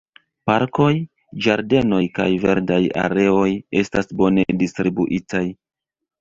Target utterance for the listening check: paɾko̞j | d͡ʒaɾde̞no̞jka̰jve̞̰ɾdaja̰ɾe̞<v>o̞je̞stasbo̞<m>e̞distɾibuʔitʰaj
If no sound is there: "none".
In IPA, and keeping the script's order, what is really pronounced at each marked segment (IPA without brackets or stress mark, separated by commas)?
none, n